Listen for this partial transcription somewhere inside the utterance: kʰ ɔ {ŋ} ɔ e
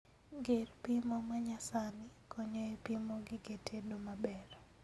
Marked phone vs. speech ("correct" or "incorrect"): incorrect